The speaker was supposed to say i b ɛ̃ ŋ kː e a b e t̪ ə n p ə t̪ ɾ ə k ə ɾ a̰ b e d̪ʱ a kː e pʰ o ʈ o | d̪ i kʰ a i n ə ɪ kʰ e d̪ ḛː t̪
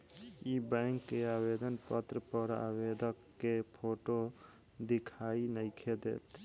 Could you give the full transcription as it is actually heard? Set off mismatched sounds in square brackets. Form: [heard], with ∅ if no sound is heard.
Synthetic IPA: i b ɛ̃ ŋ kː e a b e [d̪] ə n p ə t̪ ɾ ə [p] ə ɾ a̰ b e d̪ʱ [ə] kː e pʰ o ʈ o | d̪ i kʰ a i n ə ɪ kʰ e d̪ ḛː t̪